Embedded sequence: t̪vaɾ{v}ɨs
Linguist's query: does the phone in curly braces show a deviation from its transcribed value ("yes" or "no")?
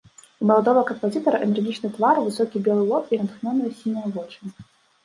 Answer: no